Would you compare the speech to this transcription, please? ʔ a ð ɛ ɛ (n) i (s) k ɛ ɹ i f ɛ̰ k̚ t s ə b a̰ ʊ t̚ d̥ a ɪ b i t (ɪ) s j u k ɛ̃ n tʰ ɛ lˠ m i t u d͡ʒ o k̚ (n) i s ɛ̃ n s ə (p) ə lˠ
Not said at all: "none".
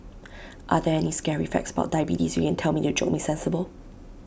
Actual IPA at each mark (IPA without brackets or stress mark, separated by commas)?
n, s, i, m, b